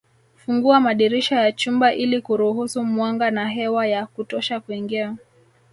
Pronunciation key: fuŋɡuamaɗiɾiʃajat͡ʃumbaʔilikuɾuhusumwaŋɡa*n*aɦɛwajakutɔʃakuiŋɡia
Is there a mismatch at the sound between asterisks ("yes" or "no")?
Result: no